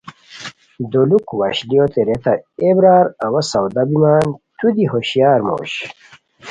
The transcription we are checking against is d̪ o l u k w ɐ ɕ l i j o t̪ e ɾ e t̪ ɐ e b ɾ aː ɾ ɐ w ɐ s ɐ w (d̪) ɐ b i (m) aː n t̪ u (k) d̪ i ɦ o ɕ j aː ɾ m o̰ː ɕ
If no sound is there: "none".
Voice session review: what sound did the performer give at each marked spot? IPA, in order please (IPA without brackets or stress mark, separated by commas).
d̪, m, none